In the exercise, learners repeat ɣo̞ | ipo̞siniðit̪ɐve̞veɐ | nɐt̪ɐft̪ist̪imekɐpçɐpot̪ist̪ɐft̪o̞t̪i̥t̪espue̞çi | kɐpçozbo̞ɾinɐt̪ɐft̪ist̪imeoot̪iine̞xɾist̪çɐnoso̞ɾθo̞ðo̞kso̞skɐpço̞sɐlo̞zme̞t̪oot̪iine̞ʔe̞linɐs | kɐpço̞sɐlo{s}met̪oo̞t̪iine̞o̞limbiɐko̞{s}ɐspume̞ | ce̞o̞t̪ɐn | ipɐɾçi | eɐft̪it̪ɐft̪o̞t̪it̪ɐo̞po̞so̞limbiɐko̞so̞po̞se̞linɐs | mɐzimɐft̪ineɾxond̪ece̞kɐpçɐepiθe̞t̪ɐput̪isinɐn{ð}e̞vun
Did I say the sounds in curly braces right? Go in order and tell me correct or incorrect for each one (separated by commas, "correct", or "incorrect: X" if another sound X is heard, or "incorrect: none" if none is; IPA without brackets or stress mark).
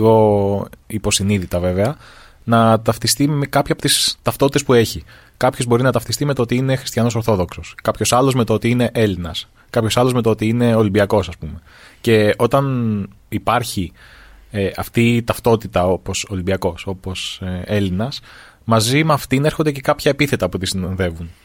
incorrect: z, correct, correct